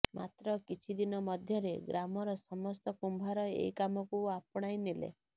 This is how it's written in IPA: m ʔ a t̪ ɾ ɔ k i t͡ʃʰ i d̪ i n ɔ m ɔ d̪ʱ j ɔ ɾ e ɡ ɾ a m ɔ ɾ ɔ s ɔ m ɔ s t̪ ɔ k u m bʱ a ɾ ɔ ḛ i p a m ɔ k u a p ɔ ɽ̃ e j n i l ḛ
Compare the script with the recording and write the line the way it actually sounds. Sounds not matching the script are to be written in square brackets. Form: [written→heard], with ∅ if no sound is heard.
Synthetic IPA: m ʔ a t̪ ɾ ɔ k i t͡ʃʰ i d̪ i n ɔ m ɔ d̪ʱ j ɔ ɾ e ɡ ɾ a m ɔ ɾ ɔ s ɔ m ɔ s t̪ ɔ k u m bʱ a ɾ ɔ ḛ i [p→k] a m ɔ k u a p ɔ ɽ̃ [e→a] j n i l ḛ